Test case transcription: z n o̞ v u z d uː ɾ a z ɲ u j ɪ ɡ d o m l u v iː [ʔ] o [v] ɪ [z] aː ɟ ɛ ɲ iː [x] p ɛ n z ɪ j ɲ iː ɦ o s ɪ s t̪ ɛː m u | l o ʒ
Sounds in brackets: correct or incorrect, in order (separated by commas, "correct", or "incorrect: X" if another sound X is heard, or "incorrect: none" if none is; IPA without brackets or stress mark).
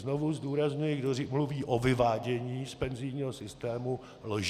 correct, correct, incorrect: v, incorrect: s